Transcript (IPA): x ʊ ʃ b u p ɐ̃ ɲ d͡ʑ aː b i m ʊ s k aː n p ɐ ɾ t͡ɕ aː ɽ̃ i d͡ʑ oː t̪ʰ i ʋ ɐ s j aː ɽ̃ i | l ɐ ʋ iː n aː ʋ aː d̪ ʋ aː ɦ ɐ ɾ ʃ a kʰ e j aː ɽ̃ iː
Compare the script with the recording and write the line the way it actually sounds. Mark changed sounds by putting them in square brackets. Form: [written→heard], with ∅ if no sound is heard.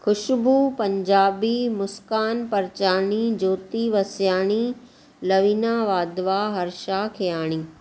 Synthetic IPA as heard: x ʊ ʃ b u p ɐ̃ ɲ d͡ʑ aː b i m ʊ s k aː n p ɐ ɾ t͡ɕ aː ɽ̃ i d͡ʑ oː [t̪ʰ→t̪] i ʋ ɐ s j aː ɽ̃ i | l ɐ ʋ iː n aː ʋ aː d̪ ʋ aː ɦ ɐ ɾ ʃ a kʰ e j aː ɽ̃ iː

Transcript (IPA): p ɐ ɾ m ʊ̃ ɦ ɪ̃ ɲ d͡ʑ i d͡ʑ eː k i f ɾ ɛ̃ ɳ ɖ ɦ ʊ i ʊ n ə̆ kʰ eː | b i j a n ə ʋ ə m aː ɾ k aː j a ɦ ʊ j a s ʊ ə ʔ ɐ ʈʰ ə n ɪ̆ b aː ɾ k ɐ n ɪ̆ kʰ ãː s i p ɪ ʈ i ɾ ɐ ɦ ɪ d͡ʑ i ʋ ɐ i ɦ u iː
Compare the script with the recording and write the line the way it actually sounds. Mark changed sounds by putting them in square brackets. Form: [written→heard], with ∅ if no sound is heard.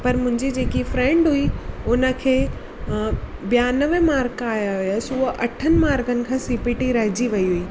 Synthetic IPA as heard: p ɐ ɾ m ʊ̃ ɦ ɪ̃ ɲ d͡ʑ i d͡ʑ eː k i f ɾ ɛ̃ ɳ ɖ ɦ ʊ i ʊ n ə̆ kʰ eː | b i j a n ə ʋ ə m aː ɾ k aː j a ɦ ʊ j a s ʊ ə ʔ ɐ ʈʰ ə n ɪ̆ [b→m] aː ɾ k [ɐ→ə] n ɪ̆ kʰ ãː s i p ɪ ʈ i ɾ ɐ ɦ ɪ d͡ʑ i ʋ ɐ i ɦ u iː

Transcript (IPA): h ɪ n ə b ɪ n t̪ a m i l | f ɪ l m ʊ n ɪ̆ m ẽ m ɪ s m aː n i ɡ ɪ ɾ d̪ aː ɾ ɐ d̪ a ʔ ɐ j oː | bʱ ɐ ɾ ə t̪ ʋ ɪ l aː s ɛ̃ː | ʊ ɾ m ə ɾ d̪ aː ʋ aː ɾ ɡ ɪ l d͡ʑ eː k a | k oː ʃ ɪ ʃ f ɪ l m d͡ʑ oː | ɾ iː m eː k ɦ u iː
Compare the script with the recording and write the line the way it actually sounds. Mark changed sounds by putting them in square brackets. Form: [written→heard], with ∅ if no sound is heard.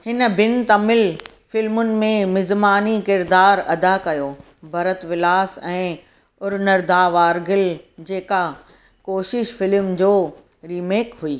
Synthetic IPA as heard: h ɪ n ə b ɪ n t̪ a m [i→ɪ] l | f ɪ l m ʊ n ɪ̆ m ẽ m ɪ [s→z] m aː n i [ɡ→k] ɪ ɾ d̪ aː ɾ ɐ d̪ a [ʔ→k] ɐ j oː | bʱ ɐ ɾ ə t̪ ʋ ɪ l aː s ɛ̃ː | ʊ ɾ [m→n] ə ɾ d̪ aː ʋ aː ɾ ɡ ɪ l d͡ʑ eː k a | k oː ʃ ɪ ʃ f ɪ l m d͡ʑ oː | ɾ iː m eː k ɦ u iː

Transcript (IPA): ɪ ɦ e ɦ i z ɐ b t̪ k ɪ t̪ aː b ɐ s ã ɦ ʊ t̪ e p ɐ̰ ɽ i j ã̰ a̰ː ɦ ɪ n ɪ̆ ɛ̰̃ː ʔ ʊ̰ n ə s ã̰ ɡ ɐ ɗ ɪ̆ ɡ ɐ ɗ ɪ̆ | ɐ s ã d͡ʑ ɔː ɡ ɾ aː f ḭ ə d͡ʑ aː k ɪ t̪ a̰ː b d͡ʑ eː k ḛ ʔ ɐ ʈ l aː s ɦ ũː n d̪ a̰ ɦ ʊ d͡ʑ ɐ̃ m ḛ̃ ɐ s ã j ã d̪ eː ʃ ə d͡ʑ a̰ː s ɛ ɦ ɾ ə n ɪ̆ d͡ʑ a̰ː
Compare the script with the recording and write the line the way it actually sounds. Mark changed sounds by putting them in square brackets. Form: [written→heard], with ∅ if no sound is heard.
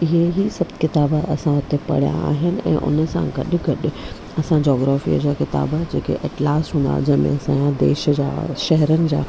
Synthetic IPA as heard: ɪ ɦ e ɦ i [z→s] ɐ b t̪ k ɪ t̪ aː b ɐ s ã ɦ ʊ t̪ e p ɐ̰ ɽ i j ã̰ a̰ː ɦ ɪ n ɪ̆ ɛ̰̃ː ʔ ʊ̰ n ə s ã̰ ɡ ɐ ɗ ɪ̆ ɡ ɐ ɗ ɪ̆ | ɐ s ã d͡ʑ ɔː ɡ ɾ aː f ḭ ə d͡ʑ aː k ɪ t̪ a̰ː b d͡ʑ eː k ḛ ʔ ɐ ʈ l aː s ɦ ũː n d̪ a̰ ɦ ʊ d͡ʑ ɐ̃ m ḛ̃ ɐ s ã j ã d̪ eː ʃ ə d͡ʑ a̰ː [s→ʃ] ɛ ɦ ɾ ə n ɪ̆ d͡ʑ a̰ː

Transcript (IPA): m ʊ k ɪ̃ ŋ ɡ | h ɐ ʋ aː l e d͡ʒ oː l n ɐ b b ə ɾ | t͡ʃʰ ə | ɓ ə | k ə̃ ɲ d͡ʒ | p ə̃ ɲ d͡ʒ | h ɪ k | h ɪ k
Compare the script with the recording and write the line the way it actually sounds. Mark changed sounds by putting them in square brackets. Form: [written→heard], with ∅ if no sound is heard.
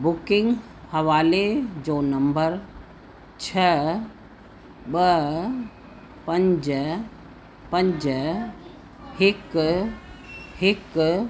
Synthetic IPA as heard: [m→b] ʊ k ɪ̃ ŋ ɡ | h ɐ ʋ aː l e d͡ʒ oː [l→∅] n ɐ [b→m] b ə ɾ | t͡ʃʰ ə | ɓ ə | [k→p] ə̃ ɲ d͡ʒ | p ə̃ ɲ d͡ʒ | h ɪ k | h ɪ k

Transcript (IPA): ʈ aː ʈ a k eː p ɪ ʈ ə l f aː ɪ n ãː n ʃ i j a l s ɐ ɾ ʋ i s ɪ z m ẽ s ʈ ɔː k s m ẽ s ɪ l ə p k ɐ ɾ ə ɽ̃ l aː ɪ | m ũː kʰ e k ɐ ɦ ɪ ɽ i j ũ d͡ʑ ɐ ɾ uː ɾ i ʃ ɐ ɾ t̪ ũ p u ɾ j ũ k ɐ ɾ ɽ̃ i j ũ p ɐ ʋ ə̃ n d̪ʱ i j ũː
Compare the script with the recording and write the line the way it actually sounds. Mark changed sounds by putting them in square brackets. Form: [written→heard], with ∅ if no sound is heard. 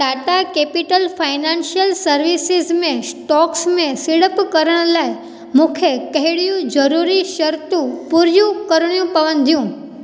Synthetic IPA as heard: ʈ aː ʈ a k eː p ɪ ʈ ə l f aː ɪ n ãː n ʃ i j [a→ə] l s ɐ ɾ ʋ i s ɪ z m ẽ s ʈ ɔː k s m ẽ s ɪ [l→ɽ] ə p k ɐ ɾ ə ɽ̃ l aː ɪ | m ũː kʰ e k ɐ ɦ ɪ ɽ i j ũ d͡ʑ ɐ ɾ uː ɾ i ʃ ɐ ɾ t̪ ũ p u ɾ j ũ k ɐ ɾ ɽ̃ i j ũ p ɐ ʋ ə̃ n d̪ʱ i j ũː

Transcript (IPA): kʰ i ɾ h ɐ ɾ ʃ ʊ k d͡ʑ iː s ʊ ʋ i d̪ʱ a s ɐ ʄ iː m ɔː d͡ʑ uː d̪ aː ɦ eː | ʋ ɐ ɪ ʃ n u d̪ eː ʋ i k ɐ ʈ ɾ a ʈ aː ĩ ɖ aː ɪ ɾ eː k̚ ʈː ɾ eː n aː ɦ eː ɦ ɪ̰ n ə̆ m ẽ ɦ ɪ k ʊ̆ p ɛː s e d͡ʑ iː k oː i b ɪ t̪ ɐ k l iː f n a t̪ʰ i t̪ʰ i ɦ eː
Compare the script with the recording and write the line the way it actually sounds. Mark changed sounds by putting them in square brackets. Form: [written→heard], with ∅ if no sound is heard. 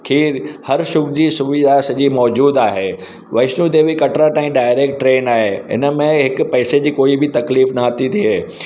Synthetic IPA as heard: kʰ [i→iː] ɾ h ɐ ɾ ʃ ʊ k d͡ʑ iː s ʊ ʋ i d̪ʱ a s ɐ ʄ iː m ɔː d͡ʑ uː d̪ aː ɦ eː | ʋ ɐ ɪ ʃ n u d̪ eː ʋ i k ɐ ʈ ɾ a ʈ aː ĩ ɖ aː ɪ ɾ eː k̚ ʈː ɾ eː n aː ɦ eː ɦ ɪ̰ n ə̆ m ẽ ɦ ɪ k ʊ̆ p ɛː s e d͡ʑ iː k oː i b ɪ t̪ ɐ k l iː f n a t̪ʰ i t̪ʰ i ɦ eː

